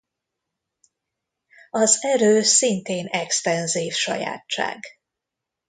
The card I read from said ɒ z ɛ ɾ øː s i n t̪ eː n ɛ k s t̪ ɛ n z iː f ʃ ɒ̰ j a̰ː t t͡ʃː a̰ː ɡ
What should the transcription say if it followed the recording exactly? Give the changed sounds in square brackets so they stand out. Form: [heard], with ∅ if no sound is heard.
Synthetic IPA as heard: ɒ z ɛ ɾ øː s i n t̪ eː n ɛ k s t̪ ɛ n z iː f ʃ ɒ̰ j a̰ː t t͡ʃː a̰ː ɡ